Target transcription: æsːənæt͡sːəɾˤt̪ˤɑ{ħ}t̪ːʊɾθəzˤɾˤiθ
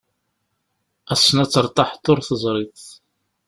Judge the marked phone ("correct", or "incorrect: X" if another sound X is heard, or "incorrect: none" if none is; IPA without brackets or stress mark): correct